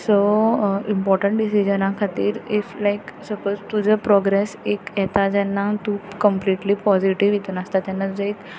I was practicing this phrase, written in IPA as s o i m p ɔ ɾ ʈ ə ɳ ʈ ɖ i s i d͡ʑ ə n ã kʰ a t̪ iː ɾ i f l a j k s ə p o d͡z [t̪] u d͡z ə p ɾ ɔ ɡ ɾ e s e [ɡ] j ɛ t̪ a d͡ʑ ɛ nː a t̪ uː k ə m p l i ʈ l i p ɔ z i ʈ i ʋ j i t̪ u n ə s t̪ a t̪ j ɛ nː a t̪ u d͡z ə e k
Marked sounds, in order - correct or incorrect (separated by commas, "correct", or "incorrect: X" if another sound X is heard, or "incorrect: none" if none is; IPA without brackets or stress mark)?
correct, incorrect: k